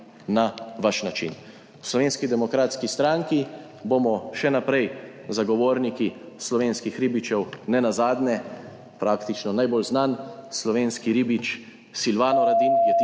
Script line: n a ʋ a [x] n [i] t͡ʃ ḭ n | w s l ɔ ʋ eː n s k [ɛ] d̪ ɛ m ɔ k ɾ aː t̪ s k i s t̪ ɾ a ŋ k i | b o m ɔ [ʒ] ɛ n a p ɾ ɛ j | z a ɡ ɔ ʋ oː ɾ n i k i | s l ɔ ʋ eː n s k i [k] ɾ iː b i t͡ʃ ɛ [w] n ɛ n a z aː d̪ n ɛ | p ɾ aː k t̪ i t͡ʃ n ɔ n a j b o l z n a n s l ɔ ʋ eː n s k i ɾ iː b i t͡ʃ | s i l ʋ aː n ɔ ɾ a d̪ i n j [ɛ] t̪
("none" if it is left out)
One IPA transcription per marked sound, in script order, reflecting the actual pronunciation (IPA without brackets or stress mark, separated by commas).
ʃ, a, i, ʃ, x, w, ɛ